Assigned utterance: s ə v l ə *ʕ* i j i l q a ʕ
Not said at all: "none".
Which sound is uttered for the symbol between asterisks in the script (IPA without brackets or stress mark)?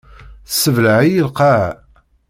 ʕ